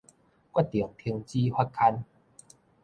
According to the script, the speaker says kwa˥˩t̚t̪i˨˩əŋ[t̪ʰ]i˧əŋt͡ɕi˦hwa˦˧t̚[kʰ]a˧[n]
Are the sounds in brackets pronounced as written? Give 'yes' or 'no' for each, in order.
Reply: yes, yes, yes

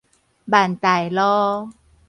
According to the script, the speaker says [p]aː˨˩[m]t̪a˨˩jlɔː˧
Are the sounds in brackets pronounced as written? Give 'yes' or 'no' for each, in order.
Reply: no, no

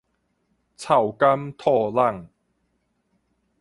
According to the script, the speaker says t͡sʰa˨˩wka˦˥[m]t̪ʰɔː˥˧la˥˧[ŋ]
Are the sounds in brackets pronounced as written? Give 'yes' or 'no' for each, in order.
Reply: yes, yes

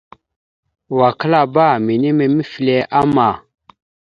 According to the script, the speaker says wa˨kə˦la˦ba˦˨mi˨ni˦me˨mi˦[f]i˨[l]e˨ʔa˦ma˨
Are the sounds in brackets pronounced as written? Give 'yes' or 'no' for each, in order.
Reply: yes, yes

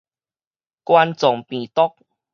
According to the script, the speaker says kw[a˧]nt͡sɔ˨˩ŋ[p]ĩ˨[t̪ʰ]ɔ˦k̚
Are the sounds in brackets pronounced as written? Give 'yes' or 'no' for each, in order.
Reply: yes, yes, no

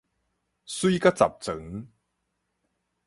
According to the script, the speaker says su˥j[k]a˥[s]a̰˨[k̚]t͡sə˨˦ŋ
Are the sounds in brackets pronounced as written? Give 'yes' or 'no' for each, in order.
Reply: yes, no, no

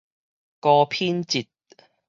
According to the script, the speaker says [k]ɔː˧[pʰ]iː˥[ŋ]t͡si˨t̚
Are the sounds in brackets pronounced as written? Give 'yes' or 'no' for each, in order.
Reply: yes, yes, no

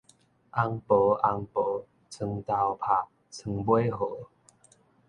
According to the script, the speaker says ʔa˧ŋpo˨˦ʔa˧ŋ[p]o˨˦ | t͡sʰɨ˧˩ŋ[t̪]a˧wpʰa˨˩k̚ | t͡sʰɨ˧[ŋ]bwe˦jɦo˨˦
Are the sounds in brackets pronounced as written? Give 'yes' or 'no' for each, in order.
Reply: yes, yes, yes

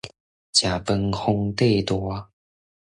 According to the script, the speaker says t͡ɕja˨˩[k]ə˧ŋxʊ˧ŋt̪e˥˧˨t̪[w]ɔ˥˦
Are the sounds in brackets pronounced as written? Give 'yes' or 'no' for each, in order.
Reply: no, yes

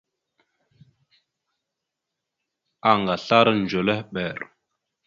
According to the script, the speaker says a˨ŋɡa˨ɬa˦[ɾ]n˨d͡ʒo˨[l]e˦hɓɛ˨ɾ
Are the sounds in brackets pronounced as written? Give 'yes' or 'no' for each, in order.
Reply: yes, yes

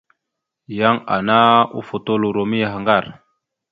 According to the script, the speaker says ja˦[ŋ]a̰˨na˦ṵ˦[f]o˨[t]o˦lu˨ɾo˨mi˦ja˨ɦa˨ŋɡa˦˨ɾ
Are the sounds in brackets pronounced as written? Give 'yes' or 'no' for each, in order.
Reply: yes, yes, yes

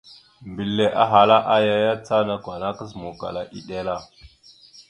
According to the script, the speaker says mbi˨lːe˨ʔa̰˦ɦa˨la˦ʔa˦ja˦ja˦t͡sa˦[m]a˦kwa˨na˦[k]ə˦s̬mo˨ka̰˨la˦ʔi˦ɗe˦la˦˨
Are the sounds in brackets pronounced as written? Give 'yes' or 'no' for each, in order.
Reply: no, yes

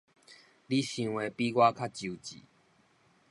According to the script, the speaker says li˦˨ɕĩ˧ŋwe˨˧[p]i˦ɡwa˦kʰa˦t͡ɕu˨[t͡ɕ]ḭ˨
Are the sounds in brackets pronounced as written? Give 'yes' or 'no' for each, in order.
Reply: yes, yes

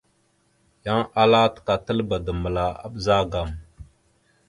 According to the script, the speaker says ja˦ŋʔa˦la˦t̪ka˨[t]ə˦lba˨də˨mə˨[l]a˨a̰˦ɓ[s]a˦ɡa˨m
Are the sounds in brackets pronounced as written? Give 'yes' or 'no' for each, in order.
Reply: yes, yes, no

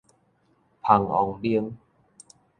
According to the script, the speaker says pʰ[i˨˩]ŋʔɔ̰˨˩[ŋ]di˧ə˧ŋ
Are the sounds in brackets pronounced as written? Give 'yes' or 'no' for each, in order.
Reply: no, yes

